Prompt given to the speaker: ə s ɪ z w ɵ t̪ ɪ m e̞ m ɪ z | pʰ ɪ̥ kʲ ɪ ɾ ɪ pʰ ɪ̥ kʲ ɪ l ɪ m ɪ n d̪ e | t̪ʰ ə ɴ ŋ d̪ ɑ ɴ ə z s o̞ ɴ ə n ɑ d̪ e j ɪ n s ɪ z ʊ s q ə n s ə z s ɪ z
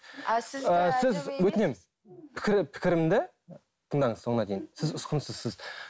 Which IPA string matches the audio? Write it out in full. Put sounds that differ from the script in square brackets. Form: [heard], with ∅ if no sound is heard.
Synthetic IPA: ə s ɪ z w ɵ t̪ ɪ [n] e̞ m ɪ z | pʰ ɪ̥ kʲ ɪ ɾ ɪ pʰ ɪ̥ kʲ ɪ [ɾ] ɪ m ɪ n d̪ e | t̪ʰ ə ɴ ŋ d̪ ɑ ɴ ə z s o̞ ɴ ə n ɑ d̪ e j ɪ n s ɪ z ʊ s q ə n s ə z s ɪ z